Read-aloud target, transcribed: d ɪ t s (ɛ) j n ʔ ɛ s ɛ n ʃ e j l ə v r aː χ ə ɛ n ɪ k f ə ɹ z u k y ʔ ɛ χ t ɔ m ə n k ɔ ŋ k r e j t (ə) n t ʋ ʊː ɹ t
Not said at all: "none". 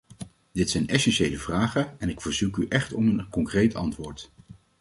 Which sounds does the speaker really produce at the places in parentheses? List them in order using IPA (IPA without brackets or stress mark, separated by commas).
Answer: ɛ, ɑ